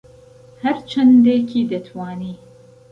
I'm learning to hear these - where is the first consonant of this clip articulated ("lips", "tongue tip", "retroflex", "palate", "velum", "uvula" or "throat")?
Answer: throat